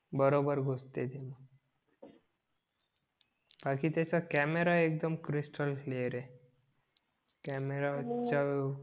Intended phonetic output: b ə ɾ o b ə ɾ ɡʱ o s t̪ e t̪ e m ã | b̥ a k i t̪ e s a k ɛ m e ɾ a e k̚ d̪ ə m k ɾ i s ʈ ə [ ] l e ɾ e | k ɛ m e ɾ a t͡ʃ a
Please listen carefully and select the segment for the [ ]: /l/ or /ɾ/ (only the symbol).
l